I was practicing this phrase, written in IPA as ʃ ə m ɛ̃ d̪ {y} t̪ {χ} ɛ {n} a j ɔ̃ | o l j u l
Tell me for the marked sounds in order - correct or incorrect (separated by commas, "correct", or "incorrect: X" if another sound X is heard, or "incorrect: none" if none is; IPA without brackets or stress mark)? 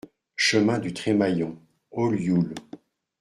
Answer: correct, correct, incorrect: m